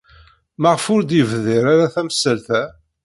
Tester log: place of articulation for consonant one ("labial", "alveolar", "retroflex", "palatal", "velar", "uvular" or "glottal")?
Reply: labial